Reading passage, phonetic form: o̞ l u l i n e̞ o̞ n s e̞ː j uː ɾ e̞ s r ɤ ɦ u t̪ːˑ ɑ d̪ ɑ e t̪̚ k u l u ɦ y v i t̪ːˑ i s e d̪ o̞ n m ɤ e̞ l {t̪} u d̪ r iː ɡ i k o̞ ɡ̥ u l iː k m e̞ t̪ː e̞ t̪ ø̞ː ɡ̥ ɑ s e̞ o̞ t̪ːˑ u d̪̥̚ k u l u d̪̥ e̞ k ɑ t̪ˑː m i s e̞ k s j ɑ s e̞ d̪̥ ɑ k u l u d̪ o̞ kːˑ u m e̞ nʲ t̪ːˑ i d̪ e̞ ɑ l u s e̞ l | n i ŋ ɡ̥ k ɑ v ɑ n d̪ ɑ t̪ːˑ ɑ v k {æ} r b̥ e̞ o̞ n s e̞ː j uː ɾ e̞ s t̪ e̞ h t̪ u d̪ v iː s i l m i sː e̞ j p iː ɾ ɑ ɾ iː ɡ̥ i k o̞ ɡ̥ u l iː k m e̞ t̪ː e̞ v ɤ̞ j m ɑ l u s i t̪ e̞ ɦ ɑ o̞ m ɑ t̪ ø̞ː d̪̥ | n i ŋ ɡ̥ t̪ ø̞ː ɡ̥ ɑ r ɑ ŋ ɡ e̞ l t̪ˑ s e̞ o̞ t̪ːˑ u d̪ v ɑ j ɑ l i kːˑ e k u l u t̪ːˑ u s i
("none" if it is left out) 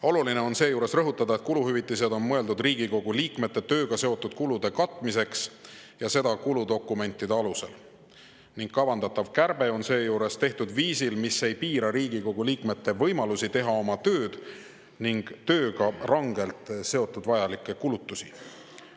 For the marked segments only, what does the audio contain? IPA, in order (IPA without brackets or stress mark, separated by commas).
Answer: d̪, æ